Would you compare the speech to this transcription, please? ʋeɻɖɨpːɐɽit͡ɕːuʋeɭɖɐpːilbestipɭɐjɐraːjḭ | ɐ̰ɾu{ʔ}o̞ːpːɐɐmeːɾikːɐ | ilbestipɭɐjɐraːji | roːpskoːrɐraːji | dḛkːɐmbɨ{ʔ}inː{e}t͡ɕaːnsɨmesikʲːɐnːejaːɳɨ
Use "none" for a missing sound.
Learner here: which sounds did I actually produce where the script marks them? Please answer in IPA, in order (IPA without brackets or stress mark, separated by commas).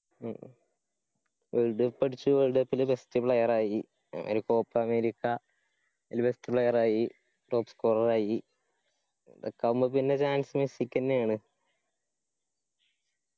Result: k, p, e